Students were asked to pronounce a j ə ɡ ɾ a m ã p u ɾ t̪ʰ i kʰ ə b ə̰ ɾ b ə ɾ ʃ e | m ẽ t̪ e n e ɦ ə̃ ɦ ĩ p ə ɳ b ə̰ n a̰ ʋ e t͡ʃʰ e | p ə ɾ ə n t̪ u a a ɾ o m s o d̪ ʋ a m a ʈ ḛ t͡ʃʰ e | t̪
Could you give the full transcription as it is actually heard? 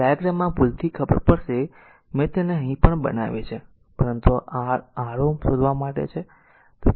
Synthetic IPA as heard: a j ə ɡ ɾ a m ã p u l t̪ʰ i kʰ ə b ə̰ ɾ p ə ɾ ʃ e | m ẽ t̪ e n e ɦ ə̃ ɦ ĩ p ə ɳ b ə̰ n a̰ ʋ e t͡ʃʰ e | p ə ɾ ə n t̪ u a a ɾ o m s o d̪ ʋ a m a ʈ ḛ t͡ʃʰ e | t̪